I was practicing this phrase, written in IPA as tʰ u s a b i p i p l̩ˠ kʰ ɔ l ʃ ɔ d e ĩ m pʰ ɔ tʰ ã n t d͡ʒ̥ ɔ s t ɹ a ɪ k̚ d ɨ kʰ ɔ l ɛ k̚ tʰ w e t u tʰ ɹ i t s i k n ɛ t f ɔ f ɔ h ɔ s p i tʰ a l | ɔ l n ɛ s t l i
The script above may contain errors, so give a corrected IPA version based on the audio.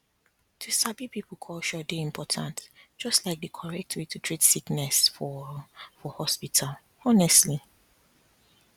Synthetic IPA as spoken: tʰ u s a b i p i p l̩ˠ kʰ ɔ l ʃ ɔ d e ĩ m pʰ ɔ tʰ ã n t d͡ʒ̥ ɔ s t l a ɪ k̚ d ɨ kʰ ɔ ɹ ɛ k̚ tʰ w e t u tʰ ɹ i t s i k n ɛ s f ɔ f ɔ h ɔ s p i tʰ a l | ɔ n ɛ s t l i

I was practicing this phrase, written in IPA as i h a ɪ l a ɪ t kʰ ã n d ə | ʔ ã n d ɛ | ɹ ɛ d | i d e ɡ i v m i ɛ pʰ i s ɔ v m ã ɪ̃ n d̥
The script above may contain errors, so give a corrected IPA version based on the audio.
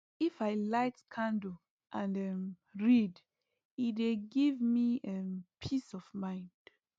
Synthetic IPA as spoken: i f a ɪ l a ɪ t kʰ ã n d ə | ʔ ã n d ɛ | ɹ i d | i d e ɡ i v m i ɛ pʰ i s ɔ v m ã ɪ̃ n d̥

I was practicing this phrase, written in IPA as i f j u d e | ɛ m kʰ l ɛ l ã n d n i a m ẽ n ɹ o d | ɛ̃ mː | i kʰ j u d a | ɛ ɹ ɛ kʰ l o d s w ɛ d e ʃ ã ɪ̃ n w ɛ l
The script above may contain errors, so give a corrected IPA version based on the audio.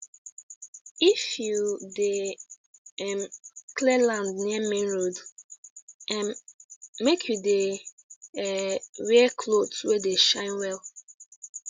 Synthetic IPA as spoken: i f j u d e | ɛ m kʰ l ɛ l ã n d n i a m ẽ n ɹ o d | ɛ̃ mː | e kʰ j u d e | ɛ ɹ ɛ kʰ l o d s w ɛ d e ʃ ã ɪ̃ n w ɛ l

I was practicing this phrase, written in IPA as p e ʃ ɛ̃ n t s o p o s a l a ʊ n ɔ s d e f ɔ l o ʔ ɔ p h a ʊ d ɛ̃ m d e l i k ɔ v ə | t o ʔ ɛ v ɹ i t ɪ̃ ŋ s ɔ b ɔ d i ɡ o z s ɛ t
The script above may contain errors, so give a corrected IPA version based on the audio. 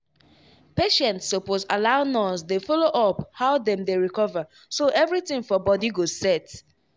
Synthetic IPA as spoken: p e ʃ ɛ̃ n t s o p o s a l a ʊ n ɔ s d e f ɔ l o ʔ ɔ p h a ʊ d ɛ̃ m d e ɹ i k ɔ v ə | s o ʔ ɛ v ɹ i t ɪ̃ ŋ f ɔ b ɔ d i ɡ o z s ɛ t

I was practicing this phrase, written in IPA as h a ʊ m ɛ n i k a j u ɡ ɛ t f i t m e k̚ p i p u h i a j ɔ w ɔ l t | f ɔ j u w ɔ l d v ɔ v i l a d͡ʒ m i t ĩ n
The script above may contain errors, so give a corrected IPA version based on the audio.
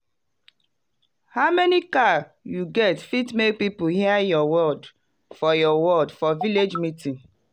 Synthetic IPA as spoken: h a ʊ m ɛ n i k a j u ɡ ɛ t f i t m e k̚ p i p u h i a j ɔ w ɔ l d | f ɔ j ɔ w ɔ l d f ɔ v i l e d͡ʒ m i t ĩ n

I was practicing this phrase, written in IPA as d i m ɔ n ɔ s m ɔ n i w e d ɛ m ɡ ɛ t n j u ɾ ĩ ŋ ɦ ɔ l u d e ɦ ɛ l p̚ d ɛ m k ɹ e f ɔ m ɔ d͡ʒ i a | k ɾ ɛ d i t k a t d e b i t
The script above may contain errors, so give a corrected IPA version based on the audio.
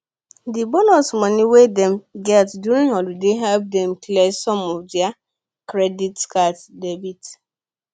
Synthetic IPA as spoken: d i b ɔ n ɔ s m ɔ n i w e d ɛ m ɡ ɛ t d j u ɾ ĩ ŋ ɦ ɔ l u d e ɦ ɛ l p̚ d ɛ m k l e s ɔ m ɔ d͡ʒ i a | k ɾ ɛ d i t k a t d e b i t

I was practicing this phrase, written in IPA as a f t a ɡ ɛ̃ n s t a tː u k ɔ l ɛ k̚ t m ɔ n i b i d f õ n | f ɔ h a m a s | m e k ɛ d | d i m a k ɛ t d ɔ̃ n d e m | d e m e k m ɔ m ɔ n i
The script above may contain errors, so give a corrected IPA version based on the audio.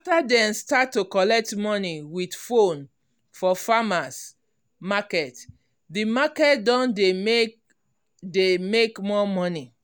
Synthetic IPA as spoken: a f t a d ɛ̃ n s t a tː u k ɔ l ɛ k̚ t m ɔ n i w i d f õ n | f ɔ f a m a s | m a k ɛ t | d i m a k ɛ t d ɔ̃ n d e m | d e m e k m ɔ m ɔ n i

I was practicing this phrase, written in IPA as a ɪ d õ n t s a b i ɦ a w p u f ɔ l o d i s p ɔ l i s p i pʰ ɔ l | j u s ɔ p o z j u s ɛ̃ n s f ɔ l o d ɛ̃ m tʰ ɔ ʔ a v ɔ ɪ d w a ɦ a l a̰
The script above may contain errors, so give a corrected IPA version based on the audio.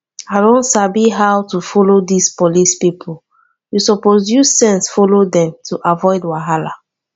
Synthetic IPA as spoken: a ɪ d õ n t s a b i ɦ a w t u f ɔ l o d i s p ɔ l i s p i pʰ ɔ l | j u s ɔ p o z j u s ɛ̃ n s f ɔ l o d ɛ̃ m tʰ u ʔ a v ɔ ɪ d w a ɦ a l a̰

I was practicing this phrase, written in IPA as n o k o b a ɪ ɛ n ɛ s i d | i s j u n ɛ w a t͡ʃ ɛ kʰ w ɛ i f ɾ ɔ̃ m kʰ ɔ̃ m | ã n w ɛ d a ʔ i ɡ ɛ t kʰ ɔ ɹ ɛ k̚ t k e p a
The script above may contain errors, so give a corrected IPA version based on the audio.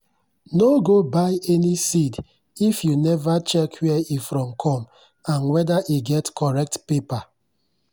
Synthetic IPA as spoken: n o ɡ o b a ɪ ɛ n i s i d | i f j u n ɛ v a t͡ʃ ɛ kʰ w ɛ i f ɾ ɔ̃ m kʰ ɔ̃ m | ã n w ɛ d a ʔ i ɡ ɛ t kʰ ɔ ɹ ɛ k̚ t p e p a

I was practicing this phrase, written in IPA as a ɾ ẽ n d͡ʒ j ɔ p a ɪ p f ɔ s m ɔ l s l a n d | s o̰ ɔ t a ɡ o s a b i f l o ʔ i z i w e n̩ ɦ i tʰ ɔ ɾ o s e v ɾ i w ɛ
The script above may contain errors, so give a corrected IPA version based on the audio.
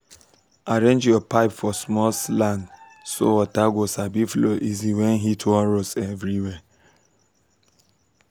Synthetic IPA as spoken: a ɾ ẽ n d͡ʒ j ɔ p a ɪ p f ɔ s m ɔ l s l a n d | s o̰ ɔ t a ɡ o s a b i f l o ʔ i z i w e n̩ ɦ i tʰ ɔ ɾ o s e v ɾ i w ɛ

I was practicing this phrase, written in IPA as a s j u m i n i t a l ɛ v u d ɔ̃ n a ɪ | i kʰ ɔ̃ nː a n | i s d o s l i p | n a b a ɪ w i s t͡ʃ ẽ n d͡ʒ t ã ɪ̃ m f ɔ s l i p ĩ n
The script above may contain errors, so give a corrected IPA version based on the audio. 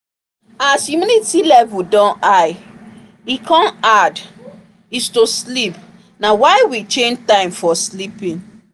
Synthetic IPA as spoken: a s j u m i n i t i l ɛ v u d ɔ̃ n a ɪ | i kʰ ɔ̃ n a d | i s t o s l i p | n a w a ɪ w i t͡ʃ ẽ n d͡ʒ t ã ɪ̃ m f ɔ s l i p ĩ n

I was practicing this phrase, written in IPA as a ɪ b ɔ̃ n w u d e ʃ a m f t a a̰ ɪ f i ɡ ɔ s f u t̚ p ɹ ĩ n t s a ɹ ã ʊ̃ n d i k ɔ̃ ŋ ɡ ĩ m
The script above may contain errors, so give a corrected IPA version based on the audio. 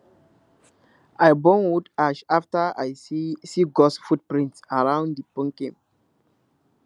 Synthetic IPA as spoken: a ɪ b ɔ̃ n w u d a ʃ a f t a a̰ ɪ s i ɡ ɔ s f u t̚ p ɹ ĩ n t s a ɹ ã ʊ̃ n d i p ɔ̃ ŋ k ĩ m

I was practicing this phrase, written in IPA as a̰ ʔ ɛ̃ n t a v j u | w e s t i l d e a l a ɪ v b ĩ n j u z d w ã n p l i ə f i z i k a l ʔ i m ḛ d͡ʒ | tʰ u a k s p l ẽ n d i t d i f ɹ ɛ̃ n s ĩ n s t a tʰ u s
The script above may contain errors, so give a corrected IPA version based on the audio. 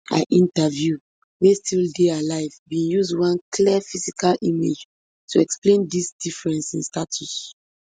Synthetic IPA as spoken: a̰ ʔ ĩ n t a v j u | w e s t i l d e a l a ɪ v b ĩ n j u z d w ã n k l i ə f i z i k a l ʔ i m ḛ d͡ʒ | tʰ u ɛ k s p l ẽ n d i s d i f ɹ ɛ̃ n s ĩ n s t a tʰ u s

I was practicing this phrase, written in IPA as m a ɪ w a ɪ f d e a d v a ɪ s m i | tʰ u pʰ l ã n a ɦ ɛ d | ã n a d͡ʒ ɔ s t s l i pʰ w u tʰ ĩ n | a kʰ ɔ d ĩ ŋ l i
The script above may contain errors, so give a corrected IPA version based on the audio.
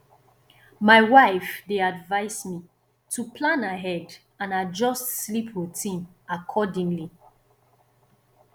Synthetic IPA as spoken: m a ɪ w a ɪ f d e a d v a ɪ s m i | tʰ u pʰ l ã n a ɦ ɛ d | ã n a d͡ʒ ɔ s t s l i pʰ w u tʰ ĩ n | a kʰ ɔ d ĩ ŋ l i

